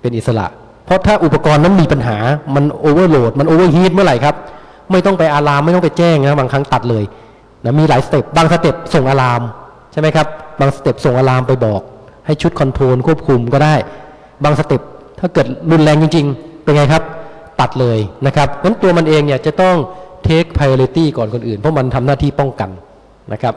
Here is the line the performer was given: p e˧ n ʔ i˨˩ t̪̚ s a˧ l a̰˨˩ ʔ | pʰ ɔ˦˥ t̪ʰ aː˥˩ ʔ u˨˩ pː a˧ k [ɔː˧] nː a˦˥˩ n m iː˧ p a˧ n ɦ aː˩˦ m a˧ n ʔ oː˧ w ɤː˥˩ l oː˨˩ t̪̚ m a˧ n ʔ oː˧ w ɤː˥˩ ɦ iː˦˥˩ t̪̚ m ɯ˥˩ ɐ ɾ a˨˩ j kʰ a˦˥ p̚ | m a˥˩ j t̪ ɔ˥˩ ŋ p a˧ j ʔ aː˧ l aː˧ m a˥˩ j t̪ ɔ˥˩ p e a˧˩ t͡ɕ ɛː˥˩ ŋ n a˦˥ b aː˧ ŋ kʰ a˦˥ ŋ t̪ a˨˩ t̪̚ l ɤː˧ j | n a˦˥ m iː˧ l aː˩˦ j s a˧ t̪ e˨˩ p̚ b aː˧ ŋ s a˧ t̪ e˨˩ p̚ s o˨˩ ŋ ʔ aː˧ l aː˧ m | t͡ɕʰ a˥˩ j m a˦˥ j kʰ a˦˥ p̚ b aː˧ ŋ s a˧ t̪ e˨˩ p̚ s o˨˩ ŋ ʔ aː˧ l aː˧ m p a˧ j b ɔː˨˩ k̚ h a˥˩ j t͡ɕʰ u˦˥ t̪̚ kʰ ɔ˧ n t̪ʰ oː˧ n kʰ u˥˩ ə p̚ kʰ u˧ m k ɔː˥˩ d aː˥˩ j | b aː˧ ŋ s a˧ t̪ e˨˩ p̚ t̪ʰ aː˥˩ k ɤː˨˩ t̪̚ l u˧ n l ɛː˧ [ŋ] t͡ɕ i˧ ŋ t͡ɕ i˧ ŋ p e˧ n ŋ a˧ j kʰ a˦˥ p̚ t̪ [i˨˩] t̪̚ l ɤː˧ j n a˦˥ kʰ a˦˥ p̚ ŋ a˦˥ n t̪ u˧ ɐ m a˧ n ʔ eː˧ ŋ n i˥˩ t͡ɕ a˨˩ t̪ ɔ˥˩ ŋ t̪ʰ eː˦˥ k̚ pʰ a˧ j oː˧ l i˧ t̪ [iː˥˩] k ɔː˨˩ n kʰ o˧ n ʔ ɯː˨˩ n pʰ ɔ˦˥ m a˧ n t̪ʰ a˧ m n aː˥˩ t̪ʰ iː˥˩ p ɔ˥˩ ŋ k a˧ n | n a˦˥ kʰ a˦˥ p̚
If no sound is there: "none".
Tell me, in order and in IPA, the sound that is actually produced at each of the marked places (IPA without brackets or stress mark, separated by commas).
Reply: ɔː˧, ŋ, a˨˩, iː˥˩